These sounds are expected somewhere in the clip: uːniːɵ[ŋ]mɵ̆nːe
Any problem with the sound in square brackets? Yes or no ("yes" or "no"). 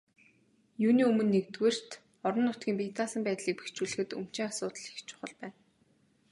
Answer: yes